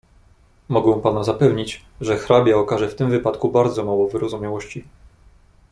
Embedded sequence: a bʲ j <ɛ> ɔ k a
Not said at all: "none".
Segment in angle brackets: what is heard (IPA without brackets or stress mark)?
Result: a